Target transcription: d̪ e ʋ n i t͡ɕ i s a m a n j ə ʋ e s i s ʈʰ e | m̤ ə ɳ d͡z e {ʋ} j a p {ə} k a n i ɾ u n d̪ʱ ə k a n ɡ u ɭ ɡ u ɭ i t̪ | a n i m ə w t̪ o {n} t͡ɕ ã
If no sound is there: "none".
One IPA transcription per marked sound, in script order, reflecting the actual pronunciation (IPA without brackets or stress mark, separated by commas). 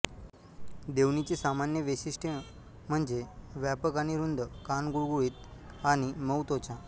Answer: ʋ, ə, none